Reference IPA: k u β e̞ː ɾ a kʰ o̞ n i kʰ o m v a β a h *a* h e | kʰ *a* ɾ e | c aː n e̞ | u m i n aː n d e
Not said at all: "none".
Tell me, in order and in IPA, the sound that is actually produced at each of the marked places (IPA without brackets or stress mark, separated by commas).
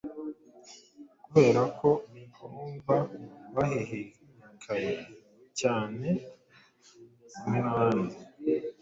e, a